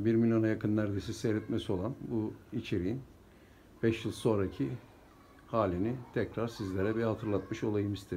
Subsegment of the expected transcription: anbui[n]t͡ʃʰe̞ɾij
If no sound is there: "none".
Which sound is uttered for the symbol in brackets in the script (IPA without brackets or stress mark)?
none